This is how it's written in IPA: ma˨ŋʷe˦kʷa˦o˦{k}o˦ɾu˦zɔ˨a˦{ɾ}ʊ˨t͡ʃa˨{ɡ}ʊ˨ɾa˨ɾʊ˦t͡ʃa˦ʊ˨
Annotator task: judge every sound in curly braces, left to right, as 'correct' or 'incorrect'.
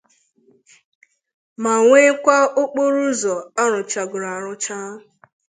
incorrect: k͡p, correct, correct

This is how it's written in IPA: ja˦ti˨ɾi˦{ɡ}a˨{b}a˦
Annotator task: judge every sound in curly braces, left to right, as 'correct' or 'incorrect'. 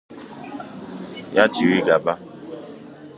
correct, correct

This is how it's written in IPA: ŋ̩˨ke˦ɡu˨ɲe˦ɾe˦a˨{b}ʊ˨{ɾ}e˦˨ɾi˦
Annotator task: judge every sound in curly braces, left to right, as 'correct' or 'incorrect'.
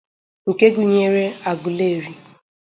incorrect: ɡ, incorrect: l

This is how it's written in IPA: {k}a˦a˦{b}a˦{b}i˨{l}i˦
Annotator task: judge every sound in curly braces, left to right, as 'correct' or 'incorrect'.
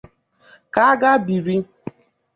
correct, incorrect: ɡ, correct, incorrect: ɾ

